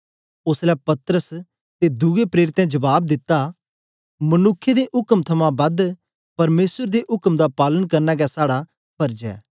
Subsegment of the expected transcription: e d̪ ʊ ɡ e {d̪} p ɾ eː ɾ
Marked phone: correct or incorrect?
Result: incorrect